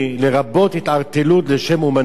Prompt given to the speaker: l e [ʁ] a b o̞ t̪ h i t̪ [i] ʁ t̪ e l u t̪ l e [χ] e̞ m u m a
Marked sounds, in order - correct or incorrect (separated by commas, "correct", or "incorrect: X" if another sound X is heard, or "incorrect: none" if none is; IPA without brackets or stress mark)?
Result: correct, incorrect: a, incorrect: ʃ